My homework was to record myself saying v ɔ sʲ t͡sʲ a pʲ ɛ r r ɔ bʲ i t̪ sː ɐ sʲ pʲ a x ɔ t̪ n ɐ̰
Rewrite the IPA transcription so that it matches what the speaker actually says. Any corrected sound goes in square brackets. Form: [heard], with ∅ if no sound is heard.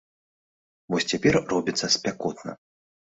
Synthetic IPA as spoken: v ɔ sʲ t͡sʲ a pʲ ɛ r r ɔ bʲ i t̪ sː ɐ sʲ pʲ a [k] ɔ t̪ n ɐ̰